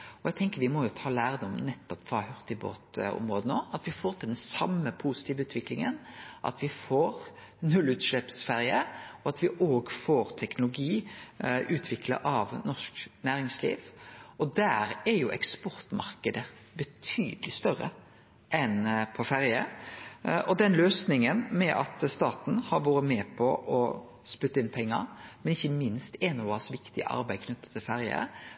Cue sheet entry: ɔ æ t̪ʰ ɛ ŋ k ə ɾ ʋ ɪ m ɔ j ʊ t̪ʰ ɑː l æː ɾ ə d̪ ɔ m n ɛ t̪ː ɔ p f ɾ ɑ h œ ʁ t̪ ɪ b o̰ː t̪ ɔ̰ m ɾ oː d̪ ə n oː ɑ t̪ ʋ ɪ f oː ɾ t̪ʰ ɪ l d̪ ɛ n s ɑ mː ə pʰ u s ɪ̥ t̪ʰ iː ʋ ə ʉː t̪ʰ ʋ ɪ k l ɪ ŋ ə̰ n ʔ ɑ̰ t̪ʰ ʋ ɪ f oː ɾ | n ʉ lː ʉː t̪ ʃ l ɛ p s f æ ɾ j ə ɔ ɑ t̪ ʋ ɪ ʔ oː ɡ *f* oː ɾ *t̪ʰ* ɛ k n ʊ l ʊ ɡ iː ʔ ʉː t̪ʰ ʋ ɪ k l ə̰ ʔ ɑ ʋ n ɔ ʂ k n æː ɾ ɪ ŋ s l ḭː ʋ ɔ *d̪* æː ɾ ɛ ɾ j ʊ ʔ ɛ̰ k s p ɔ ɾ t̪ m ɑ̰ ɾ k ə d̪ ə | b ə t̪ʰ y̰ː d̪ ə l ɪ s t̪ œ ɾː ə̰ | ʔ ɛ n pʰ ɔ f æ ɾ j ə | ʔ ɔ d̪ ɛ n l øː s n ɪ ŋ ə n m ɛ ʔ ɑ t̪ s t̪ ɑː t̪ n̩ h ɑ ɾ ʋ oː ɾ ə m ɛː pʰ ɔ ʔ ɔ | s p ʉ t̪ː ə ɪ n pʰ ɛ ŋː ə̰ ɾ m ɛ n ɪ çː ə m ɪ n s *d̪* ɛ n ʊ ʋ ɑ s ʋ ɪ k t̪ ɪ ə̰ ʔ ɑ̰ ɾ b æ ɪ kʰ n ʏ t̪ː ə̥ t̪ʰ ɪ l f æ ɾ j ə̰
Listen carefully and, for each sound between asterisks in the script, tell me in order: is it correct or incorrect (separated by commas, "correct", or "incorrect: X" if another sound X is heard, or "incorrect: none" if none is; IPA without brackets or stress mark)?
correct, correct, correct, incorrect: t̪